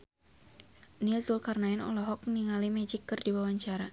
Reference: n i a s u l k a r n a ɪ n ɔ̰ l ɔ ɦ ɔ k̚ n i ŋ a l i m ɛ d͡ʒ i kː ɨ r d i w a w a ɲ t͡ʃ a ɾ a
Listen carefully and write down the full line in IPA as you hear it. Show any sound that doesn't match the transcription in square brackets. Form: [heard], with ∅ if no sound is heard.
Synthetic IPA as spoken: n i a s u l k a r n a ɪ n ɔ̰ l ɔ ɦ ɔ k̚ n i ŋ a l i m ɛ d͡ʒ i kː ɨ r d i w a w a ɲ t͡ʃ a ɾ a